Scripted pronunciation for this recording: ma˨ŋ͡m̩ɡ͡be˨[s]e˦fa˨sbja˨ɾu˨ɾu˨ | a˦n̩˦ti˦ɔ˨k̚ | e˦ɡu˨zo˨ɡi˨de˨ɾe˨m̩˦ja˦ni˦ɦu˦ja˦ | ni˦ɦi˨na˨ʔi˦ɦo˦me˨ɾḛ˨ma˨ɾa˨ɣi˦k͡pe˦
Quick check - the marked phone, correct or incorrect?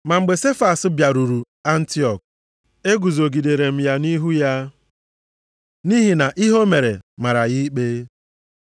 correct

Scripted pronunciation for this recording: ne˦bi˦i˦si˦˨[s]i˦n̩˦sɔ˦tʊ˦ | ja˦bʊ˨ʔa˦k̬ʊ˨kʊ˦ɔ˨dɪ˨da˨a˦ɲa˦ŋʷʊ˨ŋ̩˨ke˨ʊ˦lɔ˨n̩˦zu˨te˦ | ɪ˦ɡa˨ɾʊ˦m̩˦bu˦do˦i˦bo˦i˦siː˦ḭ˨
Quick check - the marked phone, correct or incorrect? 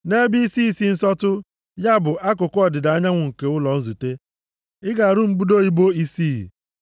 correct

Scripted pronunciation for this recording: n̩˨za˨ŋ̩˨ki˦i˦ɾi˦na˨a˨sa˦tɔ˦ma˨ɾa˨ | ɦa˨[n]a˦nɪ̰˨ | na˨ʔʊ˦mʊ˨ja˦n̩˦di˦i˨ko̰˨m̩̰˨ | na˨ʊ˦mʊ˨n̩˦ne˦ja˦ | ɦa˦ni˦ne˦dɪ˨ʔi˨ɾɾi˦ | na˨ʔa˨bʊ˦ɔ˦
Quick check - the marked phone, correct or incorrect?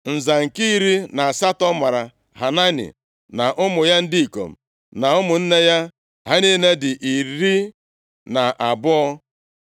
correct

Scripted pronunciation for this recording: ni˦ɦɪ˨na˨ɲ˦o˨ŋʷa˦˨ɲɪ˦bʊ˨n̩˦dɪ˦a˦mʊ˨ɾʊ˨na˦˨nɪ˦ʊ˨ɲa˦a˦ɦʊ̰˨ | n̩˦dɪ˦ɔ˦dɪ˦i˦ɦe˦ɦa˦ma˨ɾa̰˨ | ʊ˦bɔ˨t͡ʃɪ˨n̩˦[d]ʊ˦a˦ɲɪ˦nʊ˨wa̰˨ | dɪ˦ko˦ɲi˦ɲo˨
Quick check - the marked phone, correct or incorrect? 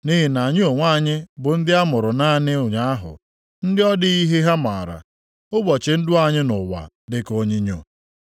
correct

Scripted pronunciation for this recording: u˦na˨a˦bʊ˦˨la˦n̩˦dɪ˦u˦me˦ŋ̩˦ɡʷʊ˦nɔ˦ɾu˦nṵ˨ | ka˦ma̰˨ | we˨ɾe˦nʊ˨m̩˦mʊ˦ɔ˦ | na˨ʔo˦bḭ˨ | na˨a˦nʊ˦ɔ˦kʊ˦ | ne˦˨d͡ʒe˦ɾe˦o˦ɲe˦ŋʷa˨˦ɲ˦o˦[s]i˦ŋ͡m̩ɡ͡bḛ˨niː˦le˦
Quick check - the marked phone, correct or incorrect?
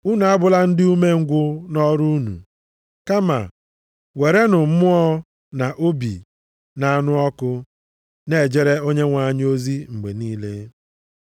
incorrect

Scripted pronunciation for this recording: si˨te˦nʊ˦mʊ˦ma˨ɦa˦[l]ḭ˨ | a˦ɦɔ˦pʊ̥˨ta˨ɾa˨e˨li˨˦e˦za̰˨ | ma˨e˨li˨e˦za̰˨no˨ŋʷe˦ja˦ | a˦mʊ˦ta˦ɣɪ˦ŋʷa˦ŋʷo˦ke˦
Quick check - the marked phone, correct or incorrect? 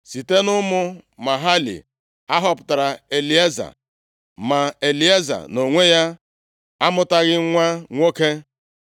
correct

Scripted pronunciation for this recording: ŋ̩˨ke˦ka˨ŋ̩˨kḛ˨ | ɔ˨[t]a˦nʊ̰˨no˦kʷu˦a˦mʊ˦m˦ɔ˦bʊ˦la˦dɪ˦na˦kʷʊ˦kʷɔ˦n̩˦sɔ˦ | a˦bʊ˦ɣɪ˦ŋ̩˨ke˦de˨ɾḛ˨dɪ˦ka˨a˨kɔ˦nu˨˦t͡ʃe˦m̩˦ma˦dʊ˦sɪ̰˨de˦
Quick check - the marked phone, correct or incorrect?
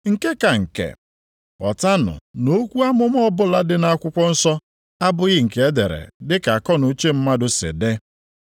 correct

